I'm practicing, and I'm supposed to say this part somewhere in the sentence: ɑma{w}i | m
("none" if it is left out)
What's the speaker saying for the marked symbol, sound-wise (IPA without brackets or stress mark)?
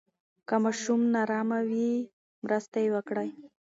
w